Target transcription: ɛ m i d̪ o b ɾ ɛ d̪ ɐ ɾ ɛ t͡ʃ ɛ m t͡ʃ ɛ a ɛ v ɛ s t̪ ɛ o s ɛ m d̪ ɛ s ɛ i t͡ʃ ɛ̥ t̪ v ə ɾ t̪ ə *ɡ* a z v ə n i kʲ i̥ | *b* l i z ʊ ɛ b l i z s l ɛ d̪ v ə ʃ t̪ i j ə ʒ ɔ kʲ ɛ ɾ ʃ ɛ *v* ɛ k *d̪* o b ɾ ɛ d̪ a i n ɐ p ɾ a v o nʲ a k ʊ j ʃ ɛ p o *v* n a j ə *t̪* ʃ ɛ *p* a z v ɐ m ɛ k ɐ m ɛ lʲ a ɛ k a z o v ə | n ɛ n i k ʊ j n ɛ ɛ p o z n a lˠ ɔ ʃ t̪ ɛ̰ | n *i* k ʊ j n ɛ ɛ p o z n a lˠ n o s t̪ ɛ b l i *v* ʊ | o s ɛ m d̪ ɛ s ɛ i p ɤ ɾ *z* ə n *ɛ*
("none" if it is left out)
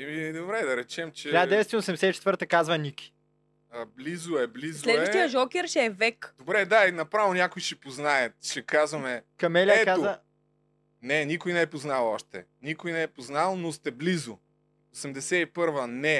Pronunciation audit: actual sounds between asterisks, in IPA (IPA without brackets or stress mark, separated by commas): k, b, v, d̪, z, t̪, k, i, z, v, ɛ